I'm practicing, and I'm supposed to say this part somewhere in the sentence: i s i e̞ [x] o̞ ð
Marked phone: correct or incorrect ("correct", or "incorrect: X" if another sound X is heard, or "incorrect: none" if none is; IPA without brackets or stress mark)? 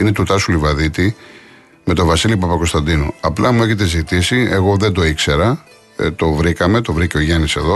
incorrect: ɣ